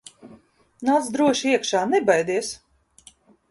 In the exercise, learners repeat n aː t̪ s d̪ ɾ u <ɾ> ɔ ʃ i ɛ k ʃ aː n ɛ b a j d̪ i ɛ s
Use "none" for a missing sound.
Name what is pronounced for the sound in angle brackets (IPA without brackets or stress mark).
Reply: none